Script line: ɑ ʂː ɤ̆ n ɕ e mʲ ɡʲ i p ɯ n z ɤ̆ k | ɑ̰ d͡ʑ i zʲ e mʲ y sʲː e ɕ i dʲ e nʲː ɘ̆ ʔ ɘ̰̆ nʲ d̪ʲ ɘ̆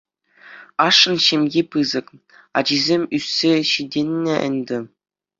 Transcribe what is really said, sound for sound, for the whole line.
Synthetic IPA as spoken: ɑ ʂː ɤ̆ n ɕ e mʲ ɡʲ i p ɯ z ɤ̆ k | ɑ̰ d͡ʑ i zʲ e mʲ y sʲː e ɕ i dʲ e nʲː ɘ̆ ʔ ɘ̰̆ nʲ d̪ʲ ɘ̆